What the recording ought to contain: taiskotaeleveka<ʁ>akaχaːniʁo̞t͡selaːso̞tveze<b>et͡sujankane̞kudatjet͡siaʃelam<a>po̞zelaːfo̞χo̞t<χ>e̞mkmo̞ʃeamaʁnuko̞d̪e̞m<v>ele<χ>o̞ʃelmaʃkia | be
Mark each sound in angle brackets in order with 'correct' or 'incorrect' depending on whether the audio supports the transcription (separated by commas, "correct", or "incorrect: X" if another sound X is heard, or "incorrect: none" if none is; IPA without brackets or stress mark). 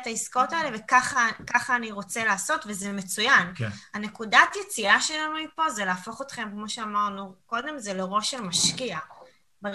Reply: incorrect: χ, incorrect: m, incorrect: i, correct, incorrect: z, incorrect: ʁ